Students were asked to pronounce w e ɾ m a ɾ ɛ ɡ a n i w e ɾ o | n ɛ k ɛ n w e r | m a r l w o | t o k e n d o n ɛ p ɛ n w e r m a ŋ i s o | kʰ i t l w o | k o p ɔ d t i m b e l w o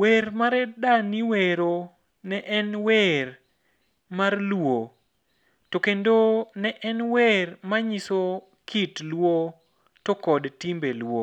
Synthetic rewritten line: w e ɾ m a ɾ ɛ d a n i w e ɾ o | n ɛ ʔ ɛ n w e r | m a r l w o | t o k e n d o n ɛ ʔ ɛ n w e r m a ɲ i s o | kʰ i t l w o | t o k ɔ d t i m b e l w o